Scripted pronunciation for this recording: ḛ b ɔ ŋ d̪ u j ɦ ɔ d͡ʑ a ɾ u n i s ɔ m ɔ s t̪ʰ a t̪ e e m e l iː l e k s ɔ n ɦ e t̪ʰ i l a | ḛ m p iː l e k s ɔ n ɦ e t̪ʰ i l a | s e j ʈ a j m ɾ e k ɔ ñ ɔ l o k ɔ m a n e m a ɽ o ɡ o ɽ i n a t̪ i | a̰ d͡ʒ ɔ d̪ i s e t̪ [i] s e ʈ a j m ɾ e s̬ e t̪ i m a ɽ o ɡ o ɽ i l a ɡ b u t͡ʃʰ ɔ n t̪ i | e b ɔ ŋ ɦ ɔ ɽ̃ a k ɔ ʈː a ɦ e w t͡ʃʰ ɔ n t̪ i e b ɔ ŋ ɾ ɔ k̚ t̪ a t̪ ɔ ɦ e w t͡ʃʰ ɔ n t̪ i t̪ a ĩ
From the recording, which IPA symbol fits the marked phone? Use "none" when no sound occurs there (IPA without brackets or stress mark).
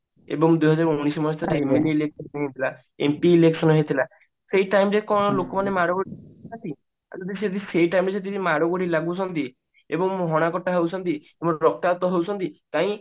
i